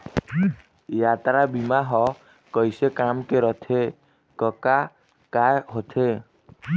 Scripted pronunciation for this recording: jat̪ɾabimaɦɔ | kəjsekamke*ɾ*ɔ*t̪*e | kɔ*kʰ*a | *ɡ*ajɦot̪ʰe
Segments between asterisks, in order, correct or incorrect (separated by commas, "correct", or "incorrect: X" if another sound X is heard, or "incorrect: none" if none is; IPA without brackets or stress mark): correct, incorrect: t̪ʰ, incorrect: k, incorrect: k